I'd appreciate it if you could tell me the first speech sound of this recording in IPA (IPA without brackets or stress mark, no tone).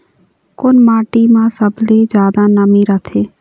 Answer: k